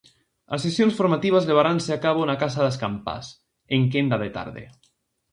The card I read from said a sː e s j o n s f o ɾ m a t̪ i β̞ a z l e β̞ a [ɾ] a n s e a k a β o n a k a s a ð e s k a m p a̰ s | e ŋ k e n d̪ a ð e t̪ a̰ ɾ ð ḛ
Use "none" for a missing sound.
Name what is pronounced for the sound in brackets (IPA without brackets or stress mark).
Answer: ɾ